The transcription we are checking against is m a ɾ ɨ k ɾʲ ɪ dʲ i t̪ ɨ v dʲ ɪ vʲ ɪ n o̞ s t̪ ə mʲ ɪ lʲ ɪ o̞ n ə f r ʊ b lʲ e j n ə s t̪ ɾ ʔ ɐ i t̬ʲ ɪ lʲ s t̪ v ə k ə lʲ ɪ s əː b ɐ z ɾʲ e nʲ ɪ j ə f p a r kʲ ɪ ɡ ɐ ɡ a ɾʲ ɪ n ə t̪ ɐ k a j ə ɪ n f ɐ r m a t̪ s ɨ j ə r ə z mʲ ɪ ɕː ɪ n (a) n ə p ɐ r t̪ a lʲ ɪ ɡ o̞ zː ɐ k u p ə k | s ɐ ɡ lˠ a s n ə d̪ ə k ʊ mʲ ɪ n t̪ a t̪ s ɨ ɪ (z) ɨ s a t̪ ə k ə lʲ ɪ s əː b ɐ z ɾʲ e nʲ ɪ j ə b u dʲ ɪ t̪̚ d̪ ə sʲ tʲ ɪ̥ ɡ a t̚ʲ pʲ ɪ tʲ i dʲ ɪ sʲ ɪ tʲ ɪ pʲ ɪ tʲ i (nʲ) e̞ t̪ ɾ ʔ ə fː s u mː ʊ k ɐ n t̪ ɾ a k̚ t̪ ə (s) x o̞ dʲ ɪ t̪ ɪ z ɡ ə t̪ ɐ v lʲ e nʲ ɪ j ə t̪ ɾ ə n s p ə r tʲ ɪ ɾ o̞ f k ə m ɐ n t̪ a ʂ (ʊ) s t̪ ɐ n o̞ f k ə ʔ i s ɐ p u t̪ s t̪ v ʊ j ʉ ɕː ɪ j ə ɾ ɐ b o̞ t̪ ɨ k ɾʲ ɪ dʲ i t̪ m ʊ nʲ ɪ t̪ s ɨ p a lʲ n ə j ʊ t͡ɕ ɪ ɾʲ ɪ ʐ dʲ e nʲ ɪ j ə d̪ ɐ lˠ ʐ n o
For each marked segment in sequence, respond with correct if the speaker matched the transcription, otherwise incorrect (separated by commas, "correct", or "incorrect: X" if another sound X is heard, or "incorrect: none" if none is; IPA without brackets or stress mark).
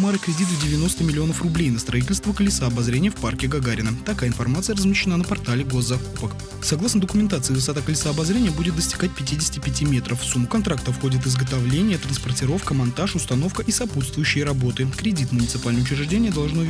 correct, incorrect: v, incorrect: mʲ, incorrect: f, correct